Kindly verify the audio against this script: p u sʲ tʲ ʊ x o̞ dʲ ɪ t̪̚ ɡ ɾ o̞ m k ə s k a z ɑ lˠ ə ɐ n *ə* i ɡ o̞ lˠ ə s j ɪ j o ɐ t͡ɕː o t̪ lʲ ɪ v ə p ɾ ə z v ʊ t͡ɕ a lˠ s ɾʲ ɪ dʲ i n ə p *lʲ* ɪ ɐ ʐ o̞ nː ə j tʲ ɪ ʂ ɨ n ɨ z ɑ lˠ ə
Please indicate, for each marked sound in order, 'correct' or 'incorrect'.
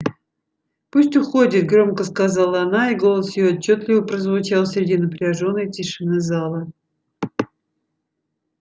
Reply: incorrect: a, incorrect: ɾʲ

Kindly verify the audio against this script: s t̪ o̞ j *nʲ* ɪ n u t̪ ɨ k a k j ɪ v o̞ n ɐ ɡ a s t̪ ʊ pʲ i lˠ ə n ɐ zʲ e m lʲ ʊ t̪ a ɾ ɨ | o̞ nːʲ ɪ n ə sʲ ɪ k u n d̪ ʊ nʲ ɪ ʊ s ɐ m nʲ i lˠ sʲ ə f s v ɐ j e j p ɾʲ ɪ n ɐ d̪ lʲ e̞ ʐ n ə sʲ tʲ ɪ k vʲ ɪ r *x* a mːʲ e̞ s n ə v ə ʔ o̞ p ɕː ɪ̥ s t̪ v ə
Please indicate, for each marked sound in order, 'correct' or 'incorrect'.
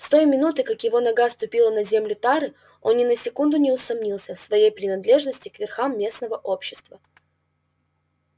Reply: incorrect: mʲ, correct

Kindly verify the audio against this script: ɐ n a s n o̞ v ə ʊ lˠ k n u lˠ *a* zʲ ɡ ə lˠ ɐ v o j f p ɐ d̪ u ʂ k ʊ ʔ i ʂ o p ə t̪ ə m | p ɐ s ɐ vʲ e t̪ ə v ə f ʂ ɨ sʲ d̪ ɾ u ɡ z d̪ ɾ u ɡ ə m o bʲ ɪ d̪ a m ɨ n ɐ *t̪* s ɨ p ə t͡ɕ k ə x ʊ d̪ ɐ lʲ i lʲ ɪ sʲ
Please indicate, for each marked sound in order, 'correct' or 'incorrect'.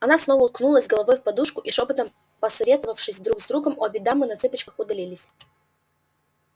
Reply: incorrect: ə, correct

